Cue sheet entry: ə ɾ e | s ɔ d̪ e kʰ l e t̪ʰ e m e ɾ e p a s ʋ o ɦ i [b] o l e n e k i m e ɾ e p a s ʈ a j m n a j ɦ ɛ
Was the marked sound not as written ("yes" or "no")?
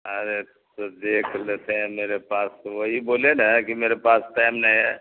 no